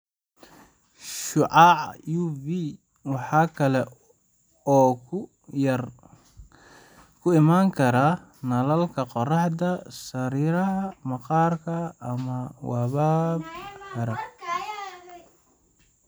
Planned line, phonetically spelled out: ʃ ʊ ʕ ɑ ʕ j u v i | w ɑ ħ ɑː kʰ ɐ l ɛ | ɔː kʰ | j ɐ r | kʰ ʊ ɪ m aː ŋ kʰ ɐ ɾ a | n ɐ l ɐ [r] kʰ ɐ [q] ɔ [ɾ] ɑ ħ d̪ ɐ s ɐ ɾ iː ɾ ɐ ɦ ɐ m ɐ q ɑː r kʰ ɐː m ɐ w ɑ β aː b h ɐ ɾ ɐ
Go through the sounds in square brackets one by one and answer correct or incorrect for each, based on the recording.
incorrect: l, correct, incorrect: r

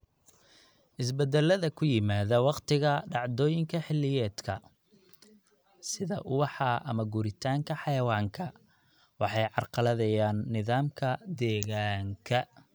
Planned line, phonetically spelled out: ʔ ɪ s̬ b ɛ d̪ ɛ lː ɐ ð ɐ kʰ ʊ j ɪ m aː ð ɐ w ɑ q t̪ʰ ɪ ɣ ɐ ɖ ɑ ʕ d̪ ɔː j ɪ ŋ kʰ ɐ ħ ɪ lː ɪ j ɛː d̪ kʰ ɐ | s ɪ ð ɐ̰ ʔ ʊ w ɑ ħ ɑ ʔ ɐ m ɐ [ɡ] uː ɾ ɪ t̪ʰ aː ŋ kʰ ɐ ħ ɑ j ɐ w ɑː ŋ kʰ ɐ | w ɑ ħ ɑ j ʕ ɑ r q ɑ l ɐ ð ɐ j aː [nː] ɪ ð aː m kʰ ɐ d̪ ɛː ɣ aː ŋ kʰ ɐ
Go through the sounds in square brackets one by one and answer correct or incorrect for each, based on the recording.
correct, correct

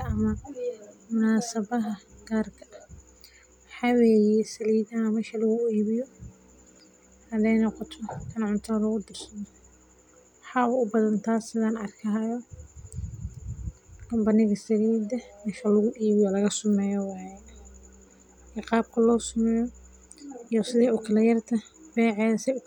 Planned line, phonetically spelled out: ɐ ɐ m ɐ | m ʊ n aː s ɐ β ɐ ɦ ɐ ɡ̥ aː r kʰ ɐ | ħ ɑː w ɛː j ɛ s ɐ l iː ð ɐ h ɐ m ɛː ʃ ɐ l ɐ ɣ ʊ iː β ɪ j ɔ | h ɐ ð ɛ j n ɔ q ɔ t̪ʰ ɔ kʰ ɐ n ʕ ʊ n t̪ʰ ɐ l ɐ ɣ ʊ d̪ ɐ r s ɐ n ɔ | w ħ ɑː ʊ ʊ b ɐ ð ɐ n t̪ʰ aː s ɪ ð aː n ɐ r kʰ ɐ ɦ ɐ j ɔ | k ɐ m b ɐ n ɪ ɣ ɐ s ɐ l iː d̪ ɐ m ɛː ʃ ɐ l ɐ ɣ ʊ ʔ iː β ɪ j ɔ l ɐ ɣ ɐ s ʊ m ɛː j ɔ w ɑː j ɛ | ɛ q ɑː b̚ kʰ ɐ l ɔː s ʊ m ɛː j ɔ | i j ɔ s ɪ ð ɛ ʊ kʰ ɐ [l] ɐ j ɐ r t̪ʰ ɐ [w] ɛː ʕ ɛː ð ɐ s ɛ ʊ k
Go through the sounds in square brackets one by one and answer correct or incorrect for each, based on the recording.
correct, incorrect: b

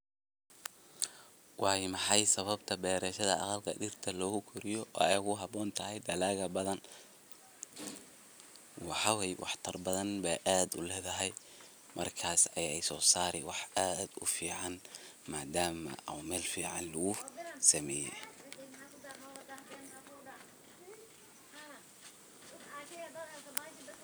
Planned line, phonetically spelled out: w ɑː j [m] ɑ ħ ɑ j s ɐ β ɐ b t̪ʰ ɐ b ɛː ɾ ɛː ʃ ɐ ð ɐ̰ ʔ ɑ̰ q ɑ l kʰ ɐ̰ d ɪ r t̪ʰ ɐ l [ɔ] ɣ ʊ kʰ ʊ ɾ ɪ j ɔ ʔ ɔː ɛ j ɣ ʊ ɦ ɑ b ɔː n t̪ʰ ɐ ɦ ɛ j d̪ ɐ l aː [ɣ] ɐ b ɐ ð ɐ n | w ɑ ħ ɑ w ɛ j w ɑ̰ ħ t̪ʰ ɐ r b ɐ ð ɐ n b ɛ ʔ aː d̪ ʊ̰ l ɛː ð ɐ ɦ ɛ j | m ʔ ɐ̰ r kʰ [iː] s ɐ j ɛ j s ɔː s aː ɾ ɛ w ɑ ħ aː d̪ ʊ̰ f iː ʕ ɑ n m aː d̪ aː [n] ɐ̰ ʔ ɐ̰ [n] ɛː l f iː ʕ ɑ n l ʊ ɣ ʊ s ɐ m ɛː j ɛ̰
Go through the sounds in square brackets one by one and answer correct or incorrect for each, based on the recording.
correct, incorrect: ɔː, correct, incorrect: aː, incorrect: m, incorrect: m

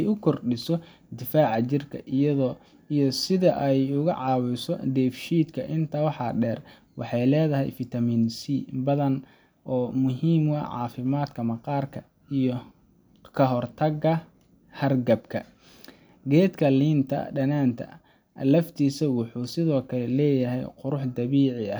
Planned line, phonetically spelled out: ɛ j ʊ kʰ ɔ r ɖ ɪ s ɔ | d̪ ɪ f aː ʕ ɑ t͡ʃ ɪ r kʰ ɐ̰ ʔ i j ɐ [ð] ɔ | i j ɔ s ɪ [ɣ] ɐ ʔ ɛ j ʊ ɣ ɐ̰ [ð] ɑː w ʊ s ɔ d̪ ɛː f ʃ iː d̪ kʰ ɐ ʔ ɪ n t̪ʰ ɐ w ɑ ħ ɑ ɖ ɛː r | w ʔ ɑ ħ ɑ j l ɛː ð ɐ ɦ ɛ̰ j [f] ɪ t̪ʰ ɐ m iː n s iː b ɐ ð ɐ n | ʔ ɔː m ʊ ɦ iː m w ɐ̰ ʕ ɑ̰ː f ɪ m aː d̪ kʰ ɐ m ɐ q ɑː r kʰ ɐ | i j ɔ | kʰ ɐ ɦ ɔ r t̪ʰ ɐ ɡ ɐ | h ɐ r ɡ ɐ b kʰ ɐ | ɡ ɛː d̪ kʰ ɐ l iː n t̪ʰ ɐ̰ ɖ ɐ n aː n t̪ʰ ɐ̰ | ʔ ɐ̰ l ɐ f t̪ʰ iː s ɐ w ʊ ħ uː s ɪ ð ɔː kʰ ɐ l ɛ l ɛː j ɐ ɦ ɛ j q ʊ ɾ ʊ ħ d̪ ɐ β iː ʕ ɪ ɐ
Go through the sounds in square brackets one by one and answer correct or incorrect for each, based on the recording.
correct, incorrect: ð, incorrect: ʕ, correct

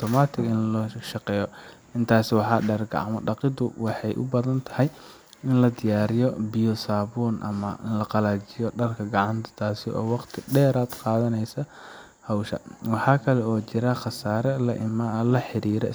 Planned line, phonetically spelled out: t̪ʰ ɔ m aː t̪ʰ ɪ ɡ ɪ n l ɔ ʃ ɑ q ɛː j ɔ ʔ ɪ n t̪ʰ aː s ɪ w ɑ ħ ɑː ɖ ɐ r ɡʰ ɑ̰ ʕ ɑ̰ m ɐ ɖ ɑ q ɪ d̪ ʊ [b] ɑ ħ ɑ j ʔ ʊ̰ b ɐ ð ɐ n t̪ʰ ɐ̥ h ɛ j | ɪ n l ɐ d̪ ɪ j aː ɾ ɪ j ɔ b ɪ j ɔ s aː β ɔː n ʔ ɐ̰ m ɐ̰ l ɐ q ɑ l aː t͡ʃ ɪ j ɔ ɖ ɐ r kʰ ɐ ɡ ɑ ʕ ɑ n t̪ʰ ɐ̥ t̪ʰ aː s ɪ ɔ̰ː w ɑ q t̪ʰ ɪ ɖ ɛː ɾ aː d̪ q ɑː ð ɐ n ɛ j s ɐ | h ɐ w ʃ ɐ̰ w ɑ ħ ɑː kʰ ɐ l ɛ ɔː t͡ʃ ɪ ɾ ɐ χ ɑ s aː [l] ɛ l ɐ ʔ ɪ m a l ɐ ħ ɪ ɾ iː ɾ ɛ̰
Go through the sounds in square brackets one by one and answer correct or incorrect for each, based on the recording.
incorrect: w, incorrect: ɾ

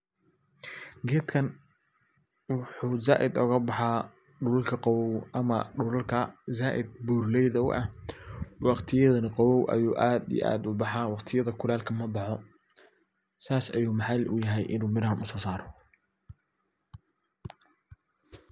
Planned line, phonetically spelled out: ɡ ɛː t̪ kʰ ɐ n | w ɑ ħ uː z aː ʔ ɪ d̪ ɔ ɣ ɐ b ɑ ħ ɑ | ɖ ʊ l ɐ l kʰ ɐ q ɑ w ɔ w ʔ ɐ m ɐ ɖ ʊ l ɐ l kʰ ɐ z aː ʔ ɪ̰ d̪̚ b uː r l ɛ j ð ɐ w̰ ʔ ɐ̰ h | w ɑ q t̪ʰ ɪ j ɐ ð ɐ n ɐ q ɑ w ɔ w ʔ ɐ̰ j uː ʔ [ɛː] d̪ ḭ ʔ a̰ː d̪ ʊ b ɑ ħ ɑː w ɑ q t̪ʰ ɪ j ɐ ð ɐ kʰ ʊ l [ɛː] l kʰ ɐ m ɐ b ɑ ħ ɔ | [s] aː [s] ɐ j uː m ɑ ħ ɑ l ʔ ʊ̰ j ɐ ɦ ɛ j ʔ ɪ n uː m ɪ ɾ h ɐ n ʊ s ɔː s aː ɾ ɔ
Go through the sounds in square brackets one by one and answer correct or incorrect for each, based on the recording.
incorrect: aː, incorrect: aː, correct, correct

